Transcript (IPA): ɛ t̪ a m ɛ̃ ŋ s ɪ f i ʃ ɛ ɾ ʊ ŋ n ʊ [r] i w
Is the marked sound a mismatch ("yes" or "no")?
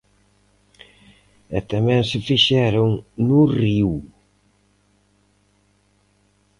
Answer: no